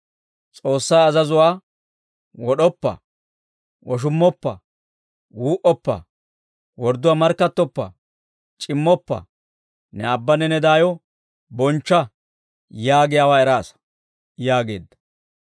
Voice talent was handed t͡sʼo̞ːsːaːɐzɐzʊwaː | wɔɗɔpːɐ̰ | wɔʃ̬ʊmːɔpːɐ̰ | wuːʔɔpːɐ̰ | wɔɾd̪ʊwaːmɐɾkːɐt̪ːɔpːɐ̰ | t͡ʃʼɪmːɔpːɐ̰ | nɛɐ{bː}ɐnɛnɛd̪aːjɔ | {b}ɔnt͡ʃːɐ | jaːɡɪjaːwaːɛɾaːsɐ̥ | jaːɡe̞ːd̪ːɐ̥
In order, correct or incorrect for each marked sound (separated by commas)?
correct, correct